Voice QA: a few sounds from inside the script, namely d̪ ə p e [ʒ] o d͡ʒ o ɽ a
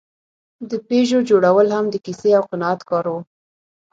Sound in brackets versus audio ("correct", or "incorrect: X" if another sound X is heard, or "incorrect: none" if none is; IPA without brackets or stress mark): correct